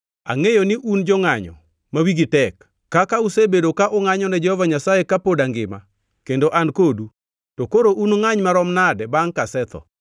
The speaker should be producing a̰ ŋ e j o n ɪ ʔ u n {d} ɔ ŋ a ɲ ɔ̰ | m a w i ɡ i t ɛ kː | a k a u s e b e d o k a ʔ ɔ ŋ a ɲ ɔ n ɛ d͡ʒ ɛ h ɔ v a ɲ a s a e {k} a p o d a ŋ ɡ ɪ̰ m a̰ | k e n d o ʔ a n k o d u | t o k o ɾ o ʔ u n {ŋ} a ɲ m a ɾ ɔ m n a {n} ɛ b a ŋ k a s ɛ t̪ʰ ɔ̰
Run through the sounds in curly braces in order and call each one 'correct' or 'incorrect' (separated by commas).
incorrect, correct, correct, incorrect